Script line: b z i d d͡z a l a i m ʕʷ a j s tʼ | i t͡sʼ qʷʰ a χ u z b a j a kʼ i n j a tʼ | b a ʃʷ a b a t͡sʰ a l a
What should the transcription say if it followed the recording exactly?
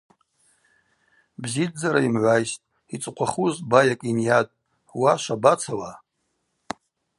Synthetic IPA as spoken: b z i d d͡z a ɾ a i m ʕʷ a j s tʼ | i t͡sʼ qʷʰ a χ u z b a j a kʼ i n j a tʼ | w a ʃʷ a b a t͡sʰ a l a